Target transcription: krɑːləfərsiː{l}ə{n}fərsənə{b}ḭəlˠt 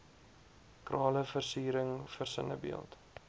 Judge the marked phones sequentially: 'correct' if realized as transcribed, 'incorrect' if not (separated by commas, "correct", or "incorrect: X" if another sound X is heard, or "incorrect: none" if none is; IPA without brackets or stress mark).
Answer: incorrect: ɾ, incorrect: ŋ, correct